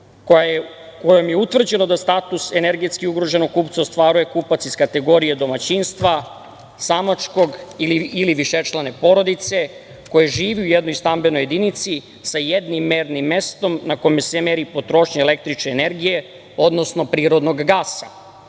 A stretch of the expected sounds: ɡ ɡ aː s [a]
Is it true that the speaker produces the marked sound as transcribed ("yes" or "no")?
yes